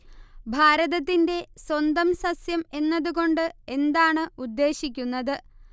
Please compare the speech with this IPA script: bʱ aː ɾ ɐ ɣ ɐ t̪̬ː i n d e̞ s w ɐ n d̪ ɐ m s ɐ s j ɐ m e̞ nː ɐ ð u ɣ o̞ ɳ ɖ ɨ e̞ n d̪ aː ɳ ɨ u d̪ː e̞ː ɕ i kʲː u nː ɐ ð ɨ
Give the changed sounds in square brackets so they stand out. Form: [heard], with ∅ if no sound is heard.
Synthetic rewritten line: bʱ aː ɾ ɐ [ð] ɐ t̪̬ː i n d e̞ s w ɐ n d̪ ɐ m s ɐ s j ɐ m e̞ nː ɐ ð u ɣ o̞ ɳ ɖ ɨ e̞ n d̪ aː ɳ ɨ u d̪ː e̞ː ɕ i kʲː u nː ɐ ð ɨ